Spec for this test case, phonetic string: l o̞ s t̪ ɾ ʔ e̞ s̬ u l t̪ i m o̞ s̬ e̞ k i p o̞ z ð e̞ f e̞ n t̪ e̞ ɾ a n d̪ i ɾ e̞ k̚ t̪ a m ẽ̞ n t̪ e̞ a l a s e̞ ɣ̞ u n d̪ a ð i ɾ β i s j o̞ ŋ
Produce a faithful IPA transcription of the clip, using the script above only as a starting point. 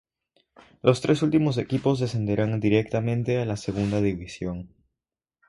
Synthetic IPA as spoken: l o̞ s t̪ ɾ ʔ e̞ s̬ u l t̪ i m o̞ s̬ e̞ k i p o̞ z ð e̞ s e̞ n d̪ e̞ ɾ a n d̪ i ɾ e̞ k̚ t̪ a m ẽ̞ n t̪ e̞ a l a s e̞ ɣ̞ u n d̪ a ð i β i s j o̞ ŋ